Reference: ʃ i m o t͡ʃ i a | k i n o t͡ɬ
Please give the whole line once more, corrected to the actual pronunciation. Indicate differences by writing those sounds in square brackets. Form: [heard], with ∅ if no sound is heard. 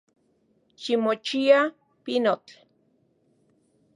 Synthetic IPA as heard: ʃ i m o t͡ʃ i a | [p] i n o t͡ɬ

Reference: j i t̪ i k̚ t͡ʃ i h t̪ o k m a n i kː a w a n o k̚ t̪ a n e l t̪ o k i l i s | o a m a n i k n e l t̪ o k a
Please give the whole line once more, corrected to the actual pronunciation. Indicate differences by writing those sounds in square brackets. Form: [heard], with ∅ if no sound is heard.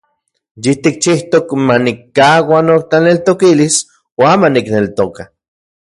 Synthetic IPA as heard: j i t̪ i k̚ t͡ʃ i h t̪ o k m a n i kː a w a n o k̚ t̪ a n e l t̪ o k i l i s | o a m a n i k n e l t̪ o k a

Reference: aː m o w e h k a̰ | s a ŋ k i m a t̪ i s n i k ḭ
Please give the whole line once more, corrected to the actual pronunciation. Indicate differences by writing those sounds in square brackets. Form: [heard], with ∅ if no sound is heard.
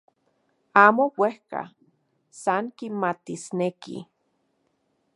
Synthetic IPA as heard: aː m o w e h k a̰ | s a ŋ k i m a t̪ i s n [e] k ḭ

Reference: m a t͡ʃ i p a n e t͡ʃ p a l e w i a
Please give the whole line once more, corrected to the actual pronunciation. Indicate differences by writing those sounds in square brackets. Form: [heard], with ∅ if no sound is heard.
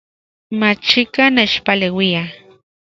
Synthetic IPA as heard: m a t͡ʃ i [k] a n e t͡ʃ p a l e w i a

